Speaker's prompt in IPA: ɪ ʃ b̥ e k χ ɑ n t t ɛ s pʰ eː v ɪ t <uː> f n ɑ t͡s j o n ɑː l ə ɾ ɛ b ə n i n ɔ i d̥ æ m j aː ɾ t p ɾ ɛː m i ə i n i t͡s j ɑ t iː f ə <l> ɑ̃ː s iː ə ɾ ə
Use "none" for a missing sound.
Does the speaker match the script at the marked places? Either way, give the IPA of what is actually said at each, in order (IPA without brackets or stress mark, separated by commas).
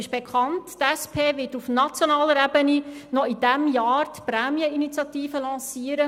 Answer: u, l